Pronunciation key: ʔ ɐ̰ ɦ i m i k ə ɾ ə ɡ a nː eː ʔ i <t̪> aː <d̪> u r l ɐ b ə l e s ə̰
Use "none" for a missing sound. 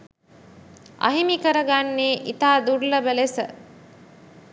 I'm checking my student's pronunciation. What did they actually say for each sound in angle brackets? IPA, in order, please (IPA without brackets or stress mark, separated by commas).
t̪, d̪